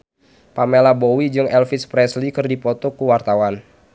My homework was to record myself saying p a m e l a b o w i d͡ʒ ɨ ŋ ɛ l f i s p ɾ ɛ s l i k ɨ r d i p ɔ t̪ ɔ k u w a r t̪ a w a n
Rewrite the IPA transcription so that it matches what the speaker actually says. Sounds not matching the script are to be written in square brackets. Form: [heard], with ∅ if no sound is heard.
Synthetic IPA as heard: p a m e l a b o w i d͡ʒ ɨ ŋ ɛ l f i s p ɾ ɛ s l i k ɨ r d i p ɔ t̪ ɔ k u w a r t̪ a w a n